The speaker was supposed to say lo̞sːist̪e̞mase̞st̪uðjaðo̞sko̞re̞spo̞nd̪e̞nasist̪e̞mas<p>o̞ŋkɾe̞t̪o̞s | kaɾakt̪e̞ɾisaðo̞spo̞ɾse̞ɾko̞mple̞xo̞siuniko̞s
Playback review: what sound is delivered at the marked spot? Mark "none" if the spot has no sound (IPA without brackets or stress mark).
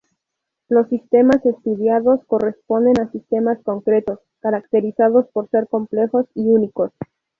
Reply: k